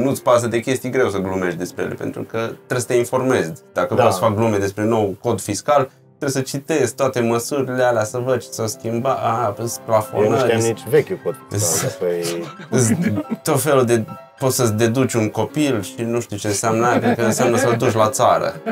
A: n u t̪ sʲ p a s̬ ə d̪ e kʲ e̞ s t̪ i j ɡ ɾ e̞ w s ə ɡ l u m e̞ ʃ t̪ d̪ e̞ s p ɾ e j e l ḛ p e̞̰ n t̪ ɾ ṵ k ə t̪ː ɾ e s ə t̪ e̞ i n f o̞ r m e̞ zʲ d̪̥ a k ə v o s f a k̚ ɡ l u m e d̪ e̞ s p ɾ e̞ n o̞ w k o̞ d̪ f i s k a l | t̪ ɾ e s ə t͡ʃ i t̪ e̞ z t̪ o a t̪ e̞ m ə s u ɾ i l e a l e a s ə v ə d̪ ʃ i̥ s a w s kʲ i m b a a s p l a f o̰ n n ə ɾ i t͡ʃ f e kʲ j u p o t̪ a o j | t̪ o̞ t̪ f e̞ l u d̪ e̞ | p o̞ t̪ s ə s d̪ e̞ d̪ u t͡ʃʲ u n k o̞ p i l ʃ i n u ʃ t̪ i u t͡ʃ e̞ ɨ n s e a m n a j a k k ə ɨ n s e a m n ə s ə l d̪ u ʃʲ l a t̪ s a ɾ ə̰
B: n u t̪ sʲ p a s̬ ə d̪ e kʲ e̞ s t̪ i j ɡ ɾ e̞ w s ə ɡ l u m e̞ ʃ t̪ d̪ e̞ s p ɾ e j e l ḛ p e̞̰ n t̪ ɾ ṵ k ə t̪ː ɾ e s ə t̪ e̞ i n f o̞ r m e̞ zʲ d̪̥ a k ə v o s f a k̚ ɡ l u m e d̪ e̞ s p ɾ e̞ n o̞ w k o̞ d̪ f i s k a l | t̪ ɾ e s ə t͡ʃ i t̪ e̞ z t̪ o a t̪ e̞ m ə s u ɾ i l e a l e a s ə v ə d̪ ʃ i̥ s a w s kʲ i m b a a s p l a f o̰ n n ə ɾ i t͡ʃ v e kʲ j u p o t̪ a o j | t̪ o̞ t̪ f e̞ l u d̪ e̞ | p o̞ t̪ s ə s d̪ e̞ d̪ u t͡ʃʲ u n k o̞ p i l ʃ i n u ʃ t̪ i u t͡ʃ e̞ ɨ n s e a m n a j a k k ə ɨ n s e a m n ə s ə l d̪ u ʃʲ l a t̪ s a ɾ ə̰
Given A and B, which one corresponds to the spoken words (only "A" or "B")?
B